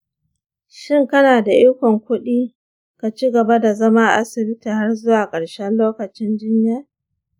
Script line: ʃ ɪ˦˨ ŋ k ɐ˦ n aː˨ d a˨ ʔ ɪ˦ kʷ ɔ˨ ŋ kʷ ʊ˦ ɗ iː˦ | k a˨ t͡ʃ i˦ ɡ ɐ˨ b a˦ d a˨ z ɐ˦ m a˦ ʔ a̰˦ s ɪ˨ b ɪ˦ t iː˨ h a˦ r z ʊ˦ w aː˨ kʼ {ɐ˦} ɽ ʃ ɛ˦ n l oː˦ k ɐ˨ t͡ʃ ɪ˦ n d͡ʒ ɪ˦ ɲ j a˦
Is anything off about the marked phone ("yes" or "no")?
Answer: yes